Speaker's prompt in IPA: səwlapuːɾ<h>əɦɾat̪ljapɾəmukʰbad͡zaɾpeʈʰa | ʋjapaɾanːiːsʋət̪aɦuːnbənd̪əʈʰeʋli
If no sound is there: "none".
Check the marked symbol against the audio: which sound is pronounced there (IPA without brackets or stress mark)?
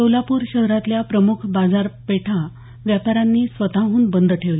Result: ɕ